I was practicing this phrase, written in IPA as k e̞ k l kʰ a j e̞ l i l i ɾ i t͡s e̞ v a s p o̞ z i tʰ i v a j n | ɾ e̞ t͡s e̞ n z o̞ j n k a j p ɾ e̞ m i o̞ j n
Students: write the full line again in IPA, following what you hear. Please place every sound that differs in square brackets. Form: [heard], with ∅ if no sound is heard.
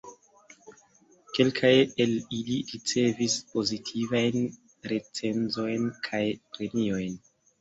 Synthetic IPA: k e̞ [∅] l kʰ a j e̞ l i l i ɾ i t͡s e̞ v [i] s p o̞ z i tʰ i v a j n | ɾ e̞ t͡s e̞ n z o̞ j n [kʰ] a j p ɾ e̞ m i o̞ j n